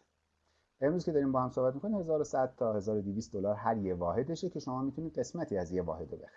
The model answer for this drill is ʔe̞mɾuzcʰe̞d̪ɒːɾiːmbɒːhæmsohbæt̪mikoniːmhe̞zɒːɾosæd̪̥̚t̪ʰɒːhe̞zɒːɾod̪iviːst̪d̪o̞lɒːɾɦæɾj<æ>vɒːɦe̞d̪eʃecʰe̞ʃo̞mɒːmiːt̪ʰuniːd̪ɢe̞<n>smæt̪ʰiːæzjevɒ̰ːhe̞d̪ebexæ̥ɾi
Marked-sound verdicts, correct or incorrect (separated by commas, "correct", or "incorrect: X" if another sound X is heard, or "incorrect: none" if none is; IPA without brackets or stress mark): incorrect: e, incorrect: none